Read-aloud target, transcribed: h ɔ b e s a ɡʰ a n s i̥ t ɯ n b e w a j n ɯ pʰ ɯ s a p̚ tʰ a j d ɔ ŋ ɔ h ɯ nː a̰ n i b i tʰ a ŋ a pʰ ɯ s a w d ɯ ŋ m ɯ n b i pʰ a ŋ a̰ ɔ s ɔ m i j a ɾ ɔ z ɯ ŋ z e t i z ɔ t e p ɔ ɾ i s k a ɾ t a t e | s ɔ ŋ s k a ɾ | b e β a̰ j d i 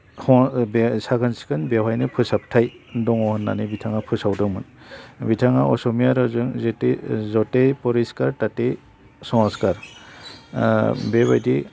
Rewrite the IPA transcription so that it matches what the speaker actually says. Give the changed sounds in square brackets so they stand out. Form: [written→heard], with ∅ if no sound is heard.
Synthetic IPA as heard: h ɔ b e s a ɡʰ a n s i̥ [t→k] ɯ n b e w a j n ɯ pʰ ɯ s a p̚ tʰ a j d ɔ ŋ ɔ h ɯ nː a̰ n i b i tʰ a ŋ a pʰ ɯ s a w d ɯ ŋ m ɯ n b i [pʰ→tʰ] a ŋ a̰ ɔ s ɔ m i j a ɾ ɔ z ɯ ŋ z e t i z ɔ t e p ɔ ɾ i s k a ɾ t a t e | s ɔ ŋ s k a ɾ | b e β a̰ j d i